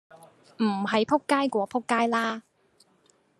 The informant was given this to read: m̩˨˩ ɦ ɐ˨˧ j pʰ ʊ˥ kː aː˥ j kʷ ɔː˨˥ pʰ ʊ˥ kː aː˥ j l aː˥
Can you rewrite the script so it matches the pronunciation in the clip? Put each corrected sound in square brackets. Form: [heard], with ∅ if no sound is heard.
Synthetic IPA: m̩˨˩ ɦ ɐ˨˧ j pʰ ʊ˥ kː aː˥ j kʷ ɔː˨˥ pʰ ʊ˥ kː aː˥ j l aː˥